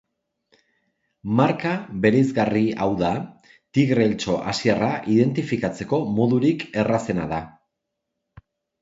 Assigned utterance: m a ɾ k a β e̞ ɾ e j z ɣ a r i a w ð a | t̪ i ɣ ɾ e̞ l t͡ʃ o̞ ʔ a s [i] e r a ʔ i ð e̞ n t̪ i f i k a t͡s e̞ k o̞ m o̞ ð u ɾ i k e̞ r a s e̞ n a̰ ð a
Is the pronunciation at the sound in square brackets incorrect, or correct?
correct